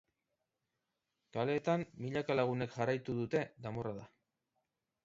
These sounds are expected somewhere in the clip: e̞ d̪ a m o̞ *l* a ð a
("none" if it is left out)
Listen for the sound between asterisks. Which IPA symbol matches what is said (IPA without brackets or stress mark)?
r